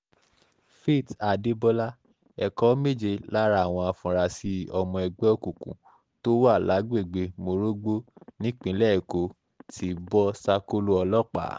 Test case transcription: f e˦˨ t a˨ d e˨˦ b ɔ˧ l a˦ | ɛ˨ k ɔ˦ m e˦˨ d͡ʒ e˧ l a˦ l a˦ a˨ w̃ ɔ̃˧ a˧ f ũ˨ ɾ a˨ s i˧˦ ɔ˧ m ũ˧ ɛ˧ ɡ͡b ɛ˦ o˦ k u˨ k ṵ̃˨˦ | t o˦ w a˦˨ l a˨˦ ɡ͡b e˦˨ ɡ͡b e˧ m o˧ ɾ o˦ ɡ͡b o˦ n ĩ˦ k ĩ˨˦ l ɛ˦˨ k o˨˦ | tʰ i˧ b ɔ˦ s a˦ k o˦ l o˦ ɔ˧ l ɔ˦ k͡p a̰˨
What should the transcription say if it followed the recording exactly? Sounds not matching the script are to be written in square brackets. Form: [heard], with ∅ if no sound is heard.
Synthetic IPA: f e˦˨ t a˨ d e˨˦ b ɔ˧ l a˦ | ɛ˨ k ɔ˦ m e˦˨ d͡ʒ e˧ l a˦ [ɾ] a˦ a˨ w̃ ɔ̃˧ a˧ f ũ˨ ɾ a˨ s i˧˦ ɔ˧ m [ɔ̃˧] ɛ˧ ɡ͡b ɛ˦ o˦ k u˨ k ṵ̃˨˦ | t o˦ w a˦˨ l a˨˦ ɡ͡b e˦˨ ɡ͡b e˧ m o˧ ɾ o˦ ɡ͡b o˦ n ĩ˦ [k͡p] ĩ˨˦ l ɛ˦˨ k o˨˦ | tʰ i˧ b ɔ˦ s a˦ k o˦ l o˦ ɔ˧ l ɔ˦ k͡p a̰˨